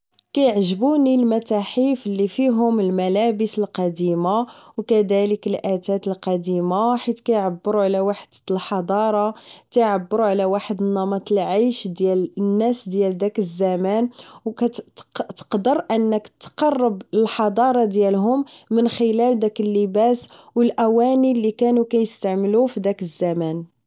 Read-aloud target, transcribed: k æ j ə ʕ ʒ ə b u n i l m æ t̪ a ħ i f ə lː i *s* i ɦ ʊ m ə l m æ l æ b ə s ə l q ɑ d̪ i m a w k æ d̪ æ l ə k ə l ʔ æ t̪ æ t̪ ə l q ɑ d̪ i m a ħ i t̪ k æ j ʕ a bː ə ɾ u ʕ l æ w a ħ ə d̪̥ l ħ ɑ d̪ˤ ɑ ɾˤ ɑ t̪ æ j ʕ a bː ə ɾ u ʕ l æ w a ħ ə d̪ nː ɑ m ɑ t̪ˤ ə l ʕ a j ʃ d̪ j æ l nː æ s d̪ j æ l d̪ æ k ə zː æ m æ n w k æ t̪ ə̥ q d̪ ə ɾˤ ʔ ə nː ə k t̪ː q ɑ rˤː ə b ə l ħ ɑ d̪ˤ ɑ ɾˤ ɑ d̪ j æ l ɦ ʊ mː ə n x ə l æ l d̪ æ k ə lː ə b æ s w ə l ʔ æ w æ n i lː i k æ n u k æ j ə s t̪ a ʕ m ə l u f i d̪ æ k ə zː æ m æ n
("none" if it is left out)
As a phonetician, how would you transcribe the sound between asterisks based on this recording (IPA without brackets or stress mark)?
f